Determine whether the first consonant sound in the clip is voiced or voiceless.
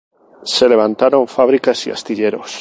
voiceless